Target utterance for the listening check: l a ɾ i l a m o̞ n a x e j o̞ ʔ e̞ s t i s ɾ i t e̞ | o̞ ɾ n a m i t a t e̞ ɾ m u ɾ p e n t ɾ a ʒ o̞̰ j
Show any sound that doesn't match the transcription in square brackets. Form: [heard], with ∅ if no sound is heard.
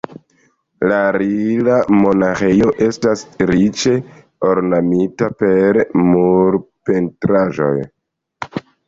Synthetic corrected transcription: l a ɾ i l a m o̞ n a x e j o̞ ʔ e̞ s t [a] s ɾ i [t͡ʃ] e̞ | o̞ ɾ n a m i t a [p] e̞ ɾ m u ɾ p e n t ɾ a ʒ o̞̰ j